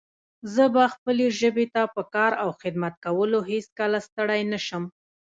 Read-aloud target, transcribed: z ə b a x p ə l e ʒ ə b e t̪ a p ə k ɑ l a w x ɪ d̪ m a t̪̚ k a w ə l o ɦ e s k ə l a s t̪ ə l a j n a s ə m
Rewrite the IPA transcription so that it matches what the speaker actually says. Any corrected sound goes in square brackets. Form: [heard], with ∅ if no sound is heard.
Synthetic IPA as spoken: z ə b a x p ə l e ʒ ə b e t̪ a p ə k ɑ [ɾ] a w x ɪ d̪ m a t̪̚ k a w ə l o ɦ e s k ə l a s t̪ ə [ɽ] a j n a [ʃ] ə m